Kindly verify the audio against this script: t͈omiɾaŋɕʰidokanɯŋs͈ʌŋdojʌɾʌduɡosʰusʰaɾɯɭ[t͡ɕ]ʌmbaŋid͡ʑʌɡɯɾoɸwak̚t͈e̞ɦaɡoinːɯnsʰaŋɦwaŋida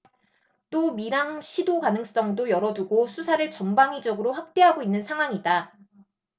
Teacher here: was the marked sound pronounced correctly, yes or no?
yes